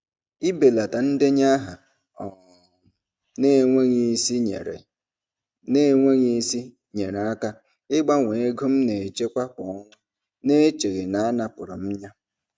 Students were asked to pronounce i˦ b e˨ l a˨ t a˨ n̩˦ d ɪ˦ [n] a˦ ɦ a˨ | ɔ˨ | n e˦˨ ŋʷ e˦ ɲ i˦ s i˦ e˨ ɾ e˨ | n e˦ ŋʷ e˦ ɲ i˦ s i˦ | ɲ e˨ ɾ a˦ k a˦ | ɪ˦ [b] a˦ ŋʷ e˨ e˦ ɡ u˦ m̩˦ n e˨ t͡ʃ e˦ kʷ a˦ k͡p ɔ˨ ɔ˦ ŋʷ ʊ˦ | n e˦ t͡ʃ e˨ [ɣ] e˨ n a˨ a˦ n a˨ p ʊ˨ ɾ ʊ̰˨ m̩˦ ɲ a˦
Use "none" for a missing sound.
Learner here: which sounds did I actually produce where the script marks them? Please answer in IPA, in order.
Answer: ɲ, ɡ͡b, ɣ

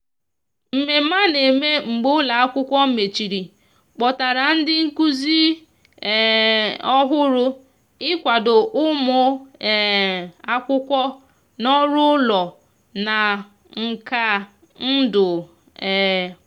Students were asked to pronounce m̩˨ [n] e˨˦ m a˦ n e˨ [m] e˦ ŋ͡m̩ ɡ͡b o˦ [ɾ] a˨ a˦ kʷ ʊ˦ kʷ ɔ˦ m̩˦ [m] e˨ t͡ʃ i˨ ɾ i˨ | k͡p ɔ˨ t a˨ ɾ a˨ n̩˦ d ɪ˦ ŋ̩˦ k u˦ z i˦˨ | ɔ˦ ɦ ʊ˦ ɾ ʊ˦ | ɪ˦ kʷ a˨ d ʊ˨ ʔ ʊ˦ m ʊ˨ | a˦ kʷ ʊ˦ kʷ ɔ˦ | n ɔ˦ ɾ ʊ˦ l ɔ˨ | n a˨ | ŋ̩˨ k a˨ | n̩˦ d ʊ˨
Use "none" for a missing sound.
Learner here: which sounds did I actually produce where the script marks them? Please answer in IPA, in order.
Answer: m, m, l, m

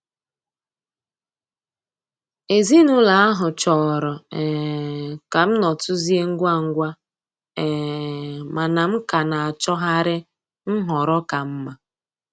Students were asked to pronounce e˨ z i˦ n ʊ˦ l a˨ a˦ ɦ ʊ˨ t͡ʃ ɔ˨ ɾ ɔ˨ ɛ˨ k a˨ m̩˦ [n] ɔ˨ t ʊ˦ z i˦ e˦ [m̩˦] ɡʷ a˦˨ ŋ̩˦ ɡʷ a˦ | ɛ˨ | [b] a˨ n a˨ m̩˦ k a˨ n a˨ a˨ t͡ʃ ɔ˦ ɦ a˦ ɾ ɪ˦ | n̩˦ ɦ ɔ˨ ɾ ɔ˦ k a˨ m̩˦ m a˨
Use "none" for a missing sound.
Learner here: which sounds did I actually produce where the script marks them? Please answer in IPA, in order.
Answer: n, ŋ̩˦, m

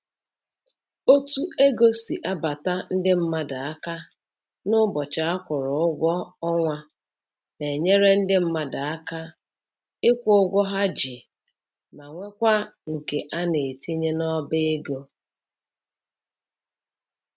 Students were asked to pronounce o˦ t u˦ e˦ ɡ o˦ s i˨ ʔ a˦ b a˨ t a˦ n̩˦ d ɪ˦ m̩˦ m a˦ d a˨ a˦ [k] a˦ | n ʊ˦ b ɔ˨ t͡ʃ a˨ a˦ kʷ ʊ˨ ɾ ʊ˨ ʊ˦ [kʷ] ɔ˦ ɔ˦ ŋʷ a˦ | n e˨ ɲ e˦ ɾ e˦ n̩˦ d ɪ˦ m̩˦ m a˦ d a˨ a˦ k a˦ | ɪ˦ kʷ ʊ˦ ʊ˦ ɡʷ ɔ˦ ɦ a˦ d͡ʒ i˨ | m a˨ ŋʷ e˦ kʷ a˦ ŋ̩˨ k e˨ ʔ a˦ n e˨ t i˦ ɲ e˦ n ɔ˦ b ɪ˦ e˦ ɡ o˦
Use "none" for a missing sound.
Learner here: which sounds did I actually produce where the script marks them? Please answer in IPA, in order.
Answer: k, ɡʷ

